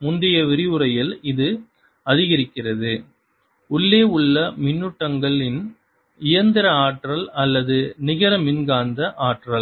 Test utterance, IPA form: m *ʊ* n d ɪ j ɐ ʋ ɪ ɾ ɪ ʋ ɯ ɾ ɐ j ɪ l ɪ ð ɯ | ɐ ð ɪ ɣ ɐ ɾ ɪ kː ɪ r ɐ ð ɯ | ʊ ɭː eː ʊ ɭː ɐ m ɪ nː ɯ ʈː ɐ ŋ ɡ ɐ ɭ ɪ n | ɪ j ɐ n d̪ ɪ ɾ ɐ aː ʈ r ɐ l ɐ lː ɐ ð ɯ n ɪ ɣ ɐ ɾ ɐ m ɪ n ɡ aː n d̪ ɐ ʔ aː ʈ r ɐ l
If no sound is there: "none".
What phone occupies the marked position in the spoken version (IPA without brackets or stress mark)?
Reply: ʊ